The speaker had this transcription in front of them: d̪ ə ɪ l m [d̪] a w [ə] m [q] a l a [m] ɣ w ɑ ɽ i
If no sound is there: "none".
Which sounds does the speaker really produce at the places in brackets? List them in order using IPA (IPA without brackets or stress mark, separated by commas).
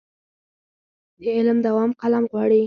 d̪, ɑ, q, m